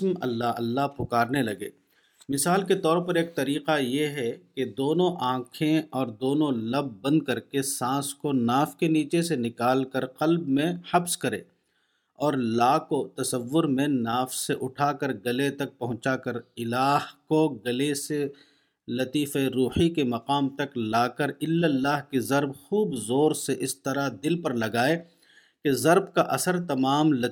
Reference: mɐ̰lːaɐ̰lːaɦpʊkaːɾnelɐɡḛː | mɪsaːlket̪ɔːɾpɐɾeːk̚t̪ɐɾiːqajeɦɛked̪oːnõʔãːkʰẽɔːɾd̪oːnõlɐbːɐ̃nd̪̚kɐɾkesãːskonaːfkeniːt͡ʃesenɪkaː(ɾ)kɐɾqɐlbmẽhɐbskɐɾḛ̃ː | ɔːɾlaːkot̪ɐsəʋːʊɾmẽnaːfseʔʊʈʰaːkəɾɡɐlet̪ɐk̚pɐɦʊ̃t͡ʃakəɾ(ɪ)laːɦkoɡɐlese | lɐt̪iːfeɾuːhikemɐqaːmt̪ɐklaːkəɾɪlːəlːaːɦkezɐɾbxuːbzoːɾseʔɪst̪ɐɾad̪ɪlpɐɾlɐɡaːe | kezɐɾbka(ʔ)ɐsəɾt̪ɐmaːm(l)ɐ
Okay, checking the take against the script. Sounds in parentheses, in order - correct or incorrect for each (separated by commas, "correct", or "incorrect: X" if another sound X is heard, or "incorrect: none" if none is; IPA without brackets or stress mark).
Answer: incorrect: l, correct, correct, correct